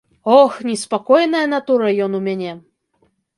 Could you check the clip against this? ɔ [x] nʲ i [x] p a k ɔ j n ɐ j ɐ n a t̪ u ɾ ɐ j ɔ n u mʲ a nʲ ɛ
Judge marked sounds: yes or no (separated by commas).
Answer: yes, no